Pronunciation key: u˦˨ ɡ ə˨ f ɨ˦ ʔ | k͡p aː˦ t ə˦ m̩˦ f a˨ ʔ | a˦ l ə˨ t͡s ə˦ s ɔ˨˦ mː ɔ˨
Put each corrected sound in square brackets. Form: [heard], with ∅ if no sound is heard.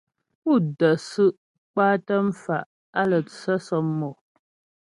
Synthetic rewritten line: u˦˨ [d] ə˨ [s] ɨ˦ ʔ | k͡p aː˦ t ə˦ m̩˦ f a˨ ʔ | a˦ l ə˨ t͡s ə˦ s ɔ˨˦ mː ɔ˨